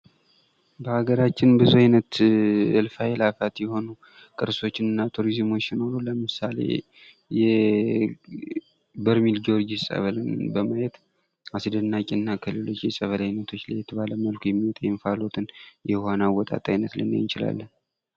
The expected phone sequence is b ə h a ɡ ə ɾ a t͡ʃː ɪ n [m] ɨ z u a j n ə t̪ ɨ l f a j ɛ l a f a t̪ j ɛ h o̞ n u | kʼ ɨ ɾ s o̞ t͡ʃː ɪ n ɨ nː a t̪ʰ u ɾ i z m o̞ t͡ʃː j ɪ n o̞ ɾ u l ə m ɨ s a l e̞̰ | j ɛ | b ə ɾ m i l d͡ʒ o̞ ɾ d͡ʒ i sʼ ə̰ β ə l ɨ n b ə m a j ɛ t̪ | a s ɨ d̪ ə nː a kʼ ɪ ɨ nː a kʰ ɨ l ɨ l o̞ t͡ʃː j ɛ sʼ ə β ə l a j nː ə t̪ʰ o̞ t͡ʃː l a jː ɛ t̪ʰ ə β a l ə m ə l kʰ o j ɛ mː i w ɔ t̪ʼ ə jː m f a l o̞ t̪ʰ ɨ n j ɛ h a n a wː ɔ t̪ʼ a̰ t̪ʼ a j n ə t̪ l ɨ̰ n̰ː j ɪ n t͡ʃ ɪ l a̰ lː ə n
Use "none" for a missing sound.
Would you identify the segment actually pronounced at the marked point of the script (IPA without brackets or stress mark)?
b